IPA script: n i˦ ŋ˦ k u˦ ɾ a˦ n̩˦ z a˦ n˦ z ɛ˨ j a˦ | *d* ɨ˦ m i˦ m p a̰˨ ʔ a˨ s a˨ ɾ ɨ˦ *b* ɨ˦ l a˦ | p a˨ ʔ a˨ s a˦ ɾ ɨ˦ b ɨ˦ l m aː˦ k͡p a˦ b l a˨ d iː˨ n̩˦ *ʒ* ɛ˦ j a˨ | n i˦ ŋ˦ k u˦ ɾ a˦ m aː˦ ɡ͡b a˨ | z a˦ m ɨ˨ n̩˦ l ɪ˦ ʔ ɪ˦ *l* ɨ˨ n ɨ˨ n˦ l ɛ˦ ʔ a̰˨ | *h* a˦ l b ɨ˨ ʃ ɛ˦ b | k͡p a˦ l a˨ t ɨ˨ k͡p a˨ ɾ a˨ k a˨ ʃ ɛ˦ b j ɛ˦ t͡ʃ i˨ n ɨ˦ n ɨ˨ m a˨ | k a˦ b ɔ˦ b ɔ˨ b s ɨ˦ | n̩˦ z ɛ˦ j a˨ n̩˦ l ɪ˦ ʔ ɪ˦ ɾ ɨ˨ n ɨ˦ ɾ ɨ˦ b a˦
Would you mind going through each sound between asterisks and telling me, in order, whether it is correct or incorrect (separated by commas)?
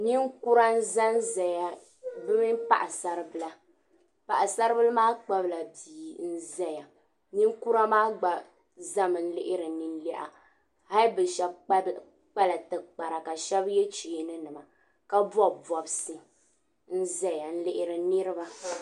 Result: incorrect, correct, incorrect, incorrect, correct